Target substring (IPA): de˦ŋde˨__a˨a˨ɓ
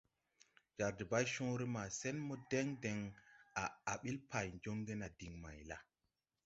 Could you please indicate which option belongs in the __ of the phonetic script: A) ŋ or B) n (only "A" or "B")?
A